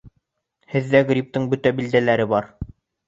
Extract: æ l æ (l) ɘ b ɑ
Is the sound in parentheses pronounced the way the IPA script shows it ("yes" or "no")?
no